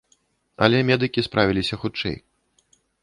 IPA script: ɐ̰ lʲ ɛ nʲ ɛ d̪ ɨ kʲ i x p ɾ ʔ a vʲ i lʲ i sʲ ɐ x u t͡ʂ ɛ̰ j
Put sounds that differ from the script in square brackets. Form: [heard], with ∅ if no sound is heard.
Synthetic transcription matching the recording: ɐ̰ lʲ ɛ [mʲ] ɛ d̪ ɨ kʲ i [s] p ɾ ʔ a vʲ i lʲ i sʲ ɐ x u t͡ʂ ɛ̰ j